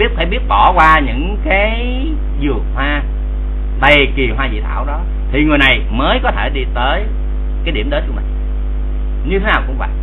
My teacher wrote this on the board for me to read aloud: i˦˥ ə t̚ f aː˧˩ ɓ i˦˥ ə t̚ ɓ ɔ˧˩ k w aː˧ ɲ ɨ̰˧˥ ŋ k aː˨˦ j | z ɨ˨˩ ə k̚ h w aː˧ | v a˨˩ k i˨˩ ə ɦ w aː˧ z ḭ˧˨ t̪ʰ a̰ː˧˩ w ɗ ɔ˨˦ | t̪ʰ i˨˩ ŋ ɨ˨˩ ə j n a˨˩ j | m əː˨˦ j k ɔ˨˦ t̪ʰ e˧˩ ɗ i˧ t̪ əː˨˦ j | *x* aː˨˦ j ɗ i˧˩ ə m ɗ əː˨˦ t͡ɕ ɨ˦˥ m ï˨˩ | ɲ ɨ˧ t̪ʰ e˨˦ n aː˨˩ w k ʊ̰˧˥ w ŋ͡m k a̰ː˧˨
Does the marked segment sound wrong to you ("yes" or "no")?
yes